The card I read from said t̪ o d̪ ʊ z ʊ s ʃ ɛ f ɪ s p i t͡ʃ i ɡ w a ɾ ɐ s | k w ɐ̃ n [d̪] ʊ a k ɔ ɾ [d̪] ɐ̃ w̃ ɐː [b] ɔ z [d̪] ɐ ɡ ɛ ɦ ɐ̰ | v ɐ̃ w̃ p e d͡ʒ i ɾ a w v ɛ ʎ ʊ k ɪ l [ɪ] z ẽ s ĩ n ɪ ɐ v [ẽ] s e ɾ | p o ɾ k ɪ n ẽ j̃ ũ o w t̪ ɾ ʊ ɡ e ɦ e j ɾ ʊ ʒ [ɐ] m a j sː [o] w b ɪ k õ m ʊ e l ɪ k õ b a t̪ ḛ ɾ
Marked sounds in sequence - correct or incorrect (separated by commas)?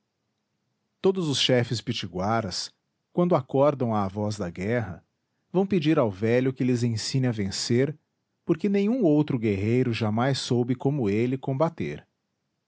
correct, correct, incorrect, correct, correct, correct, incorrect, correct